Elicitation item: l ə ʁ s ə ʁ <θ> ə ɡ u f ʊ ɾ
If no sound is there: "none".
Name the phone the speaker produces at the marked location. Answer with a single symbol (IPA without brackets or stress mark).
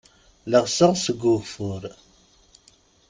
s